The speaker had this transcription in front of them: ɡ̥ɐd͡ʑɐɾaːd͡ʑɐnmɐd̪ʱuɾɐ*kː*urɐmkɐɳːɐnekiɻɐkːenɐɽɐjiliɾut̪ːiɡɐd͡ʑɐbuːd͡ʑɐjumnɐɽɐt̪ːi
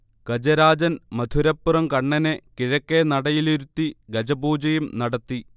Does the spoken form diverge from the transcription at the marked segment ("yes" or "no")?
yes